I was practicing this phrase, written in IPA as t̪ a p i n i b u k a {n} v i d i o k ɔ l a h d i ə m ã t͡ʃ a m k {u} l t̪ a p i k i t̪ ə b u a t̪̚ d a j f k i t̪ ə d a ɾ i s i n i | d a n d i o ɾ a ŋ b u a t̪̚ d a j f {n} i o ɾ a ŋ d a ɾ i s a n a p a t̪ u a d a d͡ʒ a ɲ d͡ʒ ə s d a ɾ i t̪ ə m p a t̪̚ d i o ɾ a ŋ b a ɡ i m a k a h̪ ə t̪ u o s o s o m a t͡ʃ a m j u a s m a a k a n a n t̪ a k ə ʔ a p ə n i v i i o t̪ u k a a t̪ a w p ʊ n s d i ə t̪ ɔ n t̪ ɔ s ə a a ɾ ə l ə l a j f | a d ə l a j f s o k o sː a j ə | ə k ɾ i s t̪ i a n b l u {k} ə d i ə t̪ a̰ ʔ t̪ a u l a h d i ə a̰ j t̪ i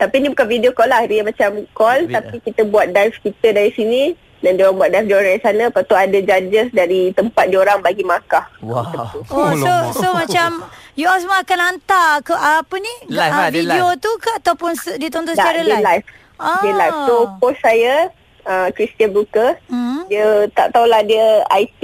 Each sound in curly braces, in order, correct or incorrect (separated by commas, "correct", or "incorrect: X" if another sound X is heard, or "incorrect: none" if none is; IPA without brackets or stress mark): correct, incorrect: ɔ, incorrect: d, correct